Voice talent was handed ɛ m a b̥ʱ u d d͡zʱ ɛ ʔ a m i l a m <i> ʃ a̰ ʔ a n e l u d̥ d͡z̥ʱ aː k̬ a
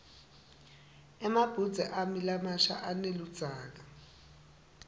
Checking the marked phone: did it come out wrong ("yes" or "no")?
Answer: yes